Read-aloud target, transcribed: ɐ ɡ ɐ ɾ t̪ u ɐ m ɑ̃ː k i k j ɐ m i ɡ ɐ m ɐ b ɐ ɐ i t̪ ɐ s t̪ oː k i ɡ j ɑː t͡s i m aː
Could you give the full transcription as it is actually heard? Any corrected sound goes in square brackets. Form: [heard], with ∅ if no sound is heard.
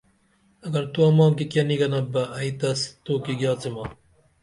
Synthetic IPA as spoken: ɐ ɡ ɐ ɾ t̪ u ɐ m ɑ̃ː k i k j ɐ [n] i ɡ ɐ [n] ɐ b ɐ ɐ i t̪ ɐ s t̪ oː k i ɡ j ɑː t͡s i m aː